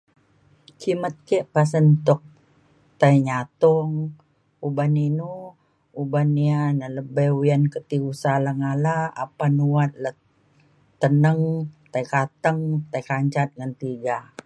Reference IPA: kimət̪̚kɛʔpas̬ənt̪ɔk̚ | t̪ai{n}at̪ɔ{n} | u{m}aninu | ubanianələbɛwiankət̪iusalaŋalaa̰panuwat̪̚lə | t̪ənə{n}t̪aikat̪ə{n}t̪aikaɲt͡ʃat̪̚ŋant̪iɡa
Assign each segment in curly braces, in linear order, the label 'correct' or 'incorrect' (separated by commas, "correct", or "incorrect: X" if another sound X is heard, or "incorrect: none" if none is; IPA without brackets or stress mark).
incorrect: ɲ, incorrect: ŋ, incorrect: b, incorrect: ŋ, incorrect: ŋ